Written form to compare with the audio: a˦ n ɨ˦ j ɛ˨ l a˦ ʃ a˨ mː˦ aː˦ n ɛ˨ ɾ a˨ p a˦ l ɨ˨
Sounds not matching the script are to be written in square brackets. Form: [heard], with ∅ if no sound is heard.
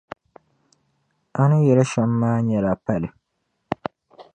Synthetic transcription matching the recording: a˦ n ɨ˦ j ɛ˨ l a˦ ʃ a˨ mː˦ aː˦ [ɲ] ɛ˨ [l] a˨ p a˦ l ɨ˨